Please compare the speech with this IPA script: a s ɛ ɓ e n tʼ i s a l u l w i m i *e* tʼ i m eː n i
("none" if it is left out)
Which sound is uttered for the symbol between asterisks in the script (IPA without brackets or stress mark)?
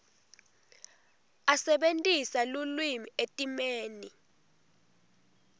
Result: e